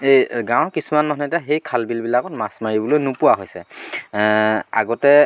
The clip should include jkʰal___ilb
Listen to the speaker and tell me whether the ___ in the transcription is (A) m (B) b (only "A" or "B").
B